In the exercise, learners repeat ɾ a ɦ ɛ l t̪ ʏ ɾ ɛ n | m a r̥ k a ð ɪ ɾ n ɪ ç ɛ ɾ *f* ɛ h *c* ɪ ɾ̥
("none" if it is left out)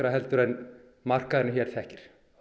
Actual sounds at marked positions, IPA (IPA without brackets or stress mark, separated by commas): θ, c